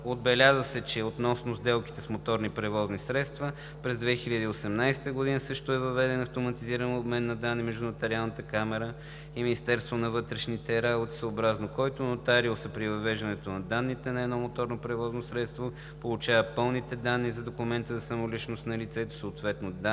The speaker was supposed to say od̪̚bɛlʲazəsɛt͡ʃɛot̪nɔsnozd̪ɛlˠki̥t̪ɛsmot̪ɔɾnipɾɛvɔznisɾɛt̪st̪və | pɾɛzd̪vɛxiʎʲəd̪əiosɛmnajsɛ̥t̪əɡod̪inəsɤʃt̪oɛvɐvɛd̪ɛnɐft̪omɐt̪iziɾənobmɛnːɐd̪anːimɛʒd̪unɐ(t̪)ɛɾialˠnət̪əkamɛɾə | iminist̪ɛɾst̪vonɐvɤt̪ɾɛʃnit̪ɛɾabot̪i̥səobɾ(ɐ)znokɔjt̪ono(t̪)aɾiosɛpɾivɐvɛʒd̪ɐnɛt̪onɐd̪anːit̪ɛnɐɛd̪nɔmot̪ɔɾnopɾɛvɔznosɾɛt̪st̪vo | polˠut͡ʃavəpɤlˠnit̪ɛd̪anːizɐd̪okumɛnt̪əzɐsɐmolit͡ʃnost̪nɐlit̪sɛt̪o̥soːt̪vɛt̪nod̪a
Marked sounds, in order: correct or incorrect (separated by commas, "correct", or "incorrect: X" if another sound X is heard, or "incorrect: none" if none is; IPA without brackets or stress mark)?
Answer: correct, incorrect: a, correct